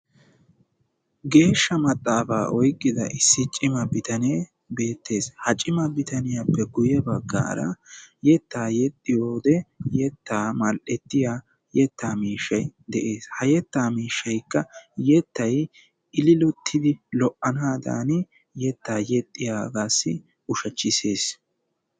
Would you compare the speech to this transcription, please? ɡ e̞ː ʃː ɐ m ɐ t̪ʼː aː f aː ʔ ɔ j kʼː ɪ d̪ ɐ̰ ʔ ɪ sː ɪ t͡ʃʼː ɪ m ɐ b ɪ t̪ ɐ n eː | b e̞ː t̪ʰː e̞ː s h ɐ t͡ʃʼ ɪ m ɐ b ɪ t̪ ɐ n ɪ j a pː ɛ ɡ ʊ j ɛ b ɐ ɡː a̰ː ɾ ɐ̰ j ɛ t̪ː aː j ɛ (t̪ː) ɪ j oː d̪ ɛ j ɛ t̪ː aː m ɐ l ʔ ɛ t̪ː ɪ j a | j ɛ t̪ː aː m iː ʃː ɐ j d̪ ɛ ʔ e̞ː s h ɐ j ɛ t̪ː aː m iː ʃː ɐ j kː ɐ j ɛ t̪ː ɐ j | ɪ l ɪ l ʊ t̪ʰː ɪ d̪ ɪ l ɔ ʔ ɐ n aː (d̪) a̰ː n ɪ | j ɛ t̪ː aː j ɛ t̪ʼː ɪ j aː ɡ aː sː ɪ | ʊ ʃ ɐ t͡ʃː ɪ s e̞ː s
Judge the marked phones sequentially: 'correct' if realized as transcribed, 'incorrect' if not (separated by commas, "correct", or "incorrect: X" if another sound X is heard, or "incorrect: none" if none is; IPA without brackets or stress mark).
incorrect: t̪ʼː, correct